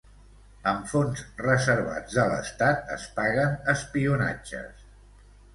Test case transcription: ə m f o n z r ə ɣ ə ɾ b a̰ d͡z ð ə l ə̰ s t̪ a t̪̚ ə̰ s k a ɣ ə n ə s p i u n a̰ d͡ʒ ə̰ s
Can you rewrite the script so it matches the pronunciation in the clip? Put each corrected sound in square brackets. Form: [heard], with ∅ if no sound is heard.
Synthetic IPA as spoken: ə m f o n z r ə [z] ə ɾ [β] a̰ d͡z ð ə l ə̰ s t̪ a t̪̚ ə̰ s [p] a ɣ ə n ə s p i u n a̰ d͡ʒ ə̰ s